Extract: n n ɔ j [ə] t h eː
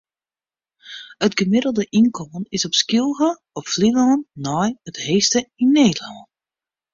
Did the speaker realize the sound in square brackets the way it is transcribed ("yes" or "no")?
yes